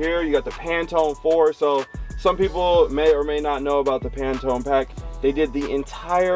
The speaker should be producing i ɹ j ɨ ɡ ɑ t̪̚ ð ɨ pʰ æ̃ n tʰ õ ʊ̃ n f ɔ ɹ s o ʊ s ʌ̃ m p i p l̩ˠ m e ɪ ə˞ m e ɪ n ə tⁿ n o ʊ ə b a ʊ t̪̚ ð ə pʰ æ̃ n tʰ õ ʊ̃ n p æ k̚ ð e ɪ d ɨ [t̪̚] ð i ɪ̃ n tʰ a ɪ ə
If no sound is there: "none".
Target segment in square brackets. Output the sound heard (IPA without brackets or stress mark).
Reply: d̪̚